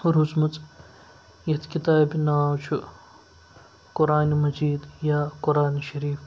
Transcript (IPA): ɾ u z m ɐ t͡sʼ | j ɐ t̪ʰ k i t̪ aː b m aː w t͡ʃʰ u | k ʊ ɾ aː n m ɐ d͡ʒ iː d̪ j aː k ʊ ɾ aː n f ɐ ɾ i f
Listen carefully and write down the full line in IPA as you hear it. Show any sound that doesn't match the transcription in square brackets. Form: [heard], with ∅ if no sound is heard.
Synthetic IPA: ɾ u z m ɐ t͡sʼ | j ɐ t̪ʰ k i t̪ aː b [n] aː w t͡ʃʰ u | k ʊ ɾ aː n m ɐ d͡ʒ iː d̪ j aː k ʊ ɾ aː n [ʃ] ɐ ɾ [iː] f